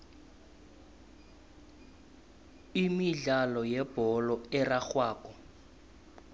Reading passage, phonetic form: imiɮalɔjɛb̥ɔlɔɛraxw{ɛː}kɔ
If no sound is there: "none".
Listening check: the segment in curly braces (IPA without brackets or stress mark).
aː